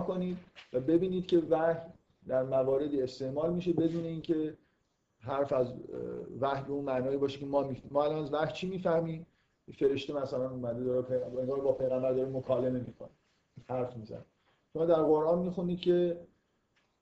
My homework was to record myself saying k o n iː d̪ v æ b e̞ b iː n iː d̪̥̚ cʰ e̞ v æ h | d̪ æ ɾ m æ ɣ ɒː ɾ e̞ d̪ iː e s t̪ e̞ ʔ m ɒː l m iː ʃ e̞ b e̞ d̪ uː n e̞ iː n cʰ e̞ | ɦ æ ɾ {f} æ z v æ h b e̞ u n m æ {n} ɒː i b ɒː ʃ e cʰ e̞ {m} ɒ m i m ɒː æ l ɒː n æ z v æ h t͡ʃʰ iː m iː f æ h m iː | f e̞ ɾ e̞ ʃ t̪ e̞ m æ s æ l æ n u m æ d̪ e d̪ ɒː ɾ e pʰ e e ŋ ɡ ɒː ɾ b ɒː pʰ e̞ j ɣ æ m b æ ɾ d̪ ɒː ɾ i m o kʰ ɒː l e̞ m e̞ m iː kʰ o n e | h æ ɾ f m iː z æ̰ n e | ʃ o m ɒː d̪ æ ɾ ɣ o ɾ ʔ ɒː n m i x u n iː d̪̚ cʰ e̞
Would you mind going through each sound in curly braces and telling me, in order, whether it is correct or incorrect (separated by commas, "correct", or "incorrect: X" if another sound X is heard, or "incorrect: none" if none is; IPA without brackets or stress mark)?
correct, correct, correct